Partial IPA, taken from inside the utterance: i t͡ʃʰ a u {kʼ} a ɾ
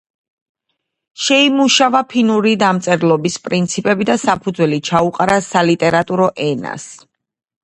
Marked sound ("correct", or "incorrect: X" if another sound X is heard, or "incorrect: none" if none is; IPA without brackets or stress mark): incorrect: qʼ